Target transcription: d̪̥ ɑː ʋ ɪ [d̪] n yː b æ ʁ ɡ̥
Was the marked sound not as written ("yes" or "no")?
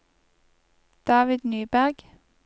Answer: no